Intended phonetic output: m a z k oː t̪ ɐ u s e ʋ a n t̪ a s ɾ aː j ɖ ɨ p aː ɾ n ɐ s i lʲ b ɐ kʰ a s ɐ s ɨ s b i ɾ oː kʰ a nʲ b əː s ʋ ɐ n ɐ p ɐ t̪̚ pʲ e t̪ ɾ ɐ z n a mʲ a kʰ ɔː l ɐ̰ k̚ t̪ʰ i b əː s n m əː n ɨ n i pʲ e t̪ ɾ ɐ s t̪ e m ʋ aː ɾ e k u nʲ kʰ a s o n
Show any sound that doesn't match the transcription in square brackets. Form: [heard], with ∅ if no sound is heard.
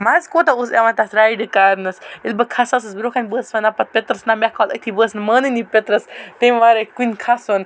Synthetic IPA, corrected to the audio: m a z k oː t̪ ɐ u s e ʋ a n t̪ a s ɾ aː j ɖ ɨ [k] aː ɾ n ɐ s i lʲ b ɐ kʰ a s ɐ s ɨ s b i ɾ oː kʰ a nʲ b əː s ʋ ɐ n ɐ p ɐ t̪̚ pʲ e t̪ ɾ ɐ [s] n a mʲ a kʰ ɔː l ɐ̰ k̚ t̪ʰ i b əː s n m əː n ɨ n i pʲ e t̪ ɾ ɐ s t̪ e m ʋ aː ɾ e k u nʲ kʰ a s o n